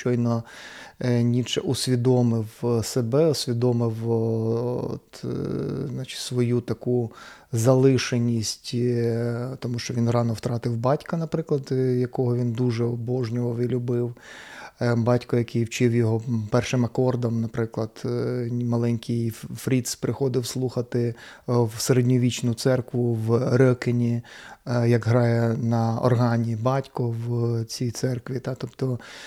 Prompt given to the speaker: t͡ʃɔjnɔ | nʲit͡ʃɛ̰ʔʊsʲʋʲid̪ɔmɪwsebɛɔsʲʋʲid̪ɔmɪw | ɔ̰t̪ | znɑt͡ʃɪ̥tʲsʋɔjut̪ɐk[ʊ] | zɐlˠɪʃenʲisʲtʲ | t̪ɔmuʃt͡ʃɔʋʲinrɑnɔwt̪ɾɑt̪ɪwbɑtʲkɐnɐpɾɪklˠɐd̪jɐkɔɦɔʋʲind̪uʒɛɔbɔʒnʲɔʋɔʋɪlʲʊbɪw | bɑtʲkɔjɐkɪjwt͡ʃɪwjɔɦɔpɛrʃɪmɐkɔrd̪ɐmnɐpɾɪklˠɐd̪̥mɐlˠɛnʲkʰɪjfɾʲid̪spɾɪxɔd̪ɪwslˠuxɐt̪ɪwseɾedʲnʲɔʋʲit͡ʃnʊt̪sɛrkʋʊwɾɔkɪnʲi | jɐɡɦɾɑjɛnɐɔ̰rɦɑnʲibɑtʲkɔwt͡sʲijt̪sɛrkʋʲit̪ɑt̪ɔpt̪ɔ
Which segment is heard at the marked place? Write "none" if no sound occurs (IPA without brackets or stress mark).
u